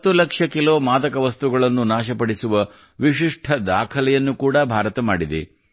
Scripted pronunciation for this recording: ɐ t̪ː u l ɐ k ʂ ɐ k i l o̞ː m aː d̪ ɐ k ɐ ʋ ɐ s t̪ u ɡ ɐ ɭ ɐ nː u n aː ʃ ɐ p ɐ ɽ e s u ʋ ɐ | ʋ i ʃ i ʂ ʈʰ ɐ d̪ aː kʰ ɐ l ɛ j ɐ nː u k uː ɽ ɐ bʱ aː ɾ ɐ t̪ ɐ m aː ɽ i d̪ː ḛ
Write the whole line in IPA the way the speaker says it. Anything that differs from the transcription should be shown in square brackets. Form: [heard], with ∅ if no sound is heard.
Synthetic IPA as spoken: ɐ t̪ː u l ɐ k ʂ ɐ k i l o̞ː m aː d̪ ɐ k ɐ ʋ ɐ s t̪ u ɡ ɐ ɭ ɐ nː u n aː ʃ ɐ p ɐ ɽ [i] s u ʋ ɐ | ʋ i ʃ i ʂ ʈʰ ɐ d̪ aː kʰ ɐ l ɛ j ɐ nː u k uː ɽ ɐ bʱ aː ɾ ɐ t̪ ɐ m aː ɽ i [d̪] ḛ